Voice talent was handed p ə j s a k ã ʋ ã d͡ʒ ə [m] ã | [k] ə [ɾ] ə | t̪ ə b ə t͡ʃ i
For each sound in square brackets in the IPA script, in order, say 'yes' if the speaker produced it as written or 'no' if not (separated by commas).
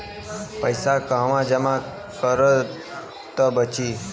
yes, yes, yes